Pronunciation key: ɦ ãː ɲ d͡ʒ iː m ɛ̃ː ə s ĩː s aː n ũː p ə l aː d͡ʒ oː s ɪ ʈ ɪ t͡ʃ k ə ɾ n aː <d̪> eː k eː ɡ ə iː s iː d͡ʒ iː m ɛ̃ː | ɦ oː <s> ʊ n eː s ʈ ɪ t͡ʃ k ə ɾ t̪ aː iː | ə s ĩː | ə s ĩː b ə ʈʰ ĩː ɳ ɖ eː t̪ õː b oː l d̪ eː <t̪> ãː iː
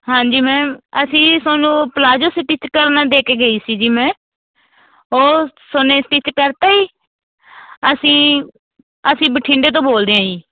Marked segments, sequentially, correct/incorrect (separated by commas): correct, correct, incorrect